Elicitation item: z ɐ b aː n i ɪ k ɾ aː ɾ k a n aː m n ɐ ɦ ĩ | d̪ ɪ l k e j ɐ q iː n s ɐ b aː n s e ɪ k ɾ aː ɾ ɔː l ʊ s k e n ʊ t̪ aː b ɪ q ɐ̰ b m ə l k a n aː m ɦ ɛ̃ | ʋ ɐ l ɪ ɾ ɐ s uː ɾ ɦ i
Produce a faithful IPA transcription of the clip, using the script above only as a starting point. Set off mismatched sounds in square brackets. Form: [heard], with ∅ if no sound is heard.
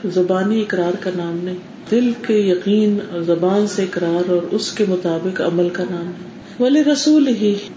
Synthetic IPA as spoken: z ɐ b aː n i ɪ k ɾ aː ɾ k a n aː m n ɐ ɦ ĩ | d̪ ɪ l k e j ɐ q iː n [z] ɐ b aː n s e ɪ k ɾ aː ɾ ɔː [ɾ] ʊ s k e [m] ʊ t̪ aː b ɪ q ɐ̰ [∅] m ə l k a n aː m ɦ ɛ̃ | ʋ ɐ l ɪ ɾ ɐ s uː [l] ɦ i